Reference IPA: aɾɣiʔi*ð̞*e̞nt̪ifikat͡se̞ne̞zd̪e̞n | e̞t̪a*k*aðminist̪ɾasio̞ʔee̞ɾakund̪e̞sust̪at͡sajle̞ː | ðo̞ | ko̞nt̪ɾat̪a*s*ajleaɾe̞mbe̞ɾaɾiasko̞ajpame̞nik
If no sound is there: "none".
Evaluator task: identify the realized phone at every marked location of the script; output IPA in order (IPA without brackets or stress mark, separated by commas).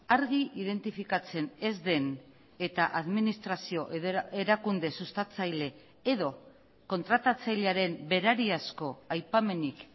ð̞, ʔ, t͡s